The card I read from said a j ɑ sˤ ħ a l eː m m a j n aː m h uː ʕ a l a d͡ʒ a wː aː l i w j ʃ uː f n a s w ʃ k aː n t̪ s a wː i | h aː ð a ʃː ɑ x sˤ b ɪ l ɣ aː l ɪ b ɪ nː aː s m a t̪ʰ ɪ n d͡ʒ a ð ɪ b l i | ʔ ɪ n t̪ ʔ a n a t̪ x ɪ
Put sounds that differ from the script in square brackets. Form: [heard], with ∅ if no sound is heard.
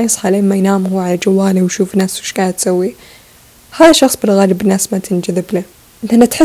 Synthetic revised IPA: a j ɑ sˤ ħ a l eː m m a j n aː m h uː ʕ a l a d͡ʒ a wː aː l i w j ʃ uː f n a s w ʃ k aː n t̪ s a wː i | h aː ð a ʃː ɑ x sˤ b ɪ l ɣ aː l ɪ b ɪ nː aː s m a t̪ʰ ɪ n d͡ʒ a ð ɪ b l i | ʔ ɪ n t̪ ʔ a n a t̪ [ħ] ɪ